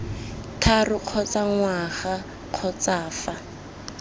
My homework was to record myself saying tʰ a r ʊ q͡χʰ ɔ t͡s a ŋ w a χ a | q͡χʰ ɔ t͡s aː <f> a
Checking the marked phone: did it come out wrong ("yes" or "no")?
no